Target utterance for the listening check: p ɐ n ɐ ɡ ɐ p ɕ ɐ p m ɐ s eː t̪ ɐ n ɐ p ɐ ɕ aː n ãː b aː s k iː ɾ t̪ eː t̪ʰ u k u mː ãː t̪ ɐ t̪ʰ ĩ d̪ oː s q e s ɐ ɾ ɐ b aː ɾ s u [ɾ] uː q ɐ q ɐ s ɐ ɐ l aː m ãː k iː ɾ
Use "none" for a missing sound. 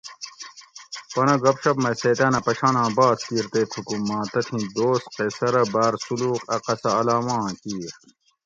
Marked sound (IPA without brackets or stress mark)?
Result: l